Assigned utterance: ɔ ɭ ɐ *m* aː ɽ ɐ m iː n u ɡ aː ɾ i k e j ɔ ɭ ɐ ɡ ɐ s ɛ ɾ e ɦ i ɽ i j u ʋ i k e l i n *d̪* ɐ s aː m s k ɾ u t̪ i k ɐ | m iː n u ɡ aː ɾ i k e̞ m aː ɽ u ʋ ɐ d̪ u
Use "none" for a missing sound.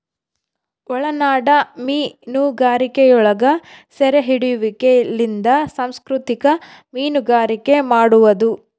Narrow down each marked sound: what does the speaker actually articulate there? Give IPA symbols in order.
n, d̪

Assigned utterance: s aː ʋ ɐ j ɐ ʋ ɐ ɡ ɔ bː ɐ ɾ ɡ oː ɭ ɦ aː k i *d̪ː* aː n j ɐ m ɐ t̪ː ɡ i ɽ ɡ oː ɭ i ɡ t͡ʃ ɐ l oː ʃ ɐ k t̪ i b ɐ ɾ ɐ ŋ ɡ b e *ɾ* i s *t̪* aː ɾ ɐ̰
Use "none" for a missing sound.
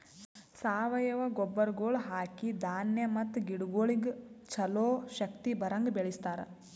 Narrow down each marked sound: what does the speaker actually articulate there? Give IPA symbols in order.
d̪, ɭ, t̪

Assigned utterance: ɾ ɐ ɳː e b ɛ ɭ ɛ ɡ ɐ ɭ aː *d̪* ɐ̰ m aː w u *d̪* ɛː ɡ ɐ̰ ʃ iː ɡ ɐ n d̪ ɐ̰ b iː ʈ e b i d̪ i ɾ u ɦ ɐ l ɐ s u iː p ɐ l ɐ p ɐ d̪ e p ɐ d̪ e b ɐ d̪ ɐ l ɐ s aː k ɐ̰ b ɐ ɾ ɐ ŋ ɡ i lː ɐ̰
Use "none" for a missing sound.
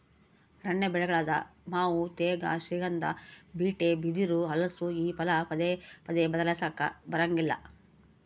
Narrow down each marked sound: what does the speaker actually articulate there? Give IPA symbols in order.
d̪, t̪

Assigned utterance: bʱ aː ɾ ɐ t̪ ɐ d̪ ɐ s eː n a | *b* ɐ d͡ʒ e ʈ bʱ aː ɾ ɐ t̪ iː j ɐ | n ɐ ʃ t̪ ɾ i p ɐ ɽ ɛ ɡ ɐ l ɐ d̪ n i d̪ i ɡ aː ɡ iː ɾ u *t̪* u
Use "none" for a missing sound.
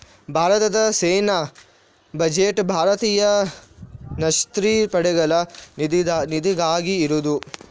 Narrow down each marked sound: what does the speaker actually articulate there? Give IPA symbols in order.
b, d̪

